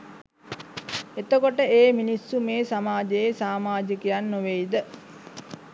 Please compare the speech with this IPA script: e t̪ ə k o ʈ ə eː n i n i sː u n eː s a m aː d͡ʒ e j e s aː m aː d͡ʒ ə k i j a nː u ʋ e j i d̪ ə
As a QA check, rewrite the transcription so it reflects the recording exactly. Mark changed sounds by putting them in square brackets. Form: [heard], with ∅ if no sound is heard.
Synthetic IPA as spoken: e t̪ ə k o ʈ ə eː [m] i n i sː u [m] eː s a m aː d͡ʒ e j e s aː m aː d͡ʒ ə k i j a nː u ʋ e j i d̪ ə